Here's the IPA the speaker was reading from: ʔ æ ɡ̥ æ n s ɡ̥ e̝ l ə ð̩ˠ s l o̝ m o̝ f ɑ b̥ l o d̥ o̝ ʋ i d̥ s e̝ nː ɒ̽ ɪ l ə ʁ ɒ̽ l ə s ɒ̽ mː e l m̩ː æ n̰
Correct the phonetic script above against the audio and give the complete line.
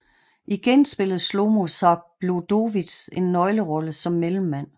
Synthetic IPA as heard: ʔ i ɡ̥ e n s b̥ e̝ l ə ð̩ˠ s l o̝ m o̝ s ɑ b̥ l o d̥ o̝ ʋ i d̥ s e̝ nː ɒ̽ ɪ l ə ʁ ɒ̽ l ə s ɒ̽ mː e l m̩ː æ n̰